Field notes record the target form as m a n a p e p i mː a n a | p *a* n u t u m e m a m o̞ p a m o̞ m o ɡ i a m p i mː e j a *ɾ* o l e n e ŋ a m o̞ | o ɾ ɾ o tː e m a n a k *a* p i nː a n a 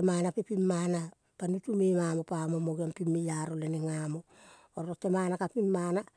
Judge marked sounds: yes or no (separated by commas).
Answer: yes, yes, yes